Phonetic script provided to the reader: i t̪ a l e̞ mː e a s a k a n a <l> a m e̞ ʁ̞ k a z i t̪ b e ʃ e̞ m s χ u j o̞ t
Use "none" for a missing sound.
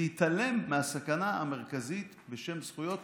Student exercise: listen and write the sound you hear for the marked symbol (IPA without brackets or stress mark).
none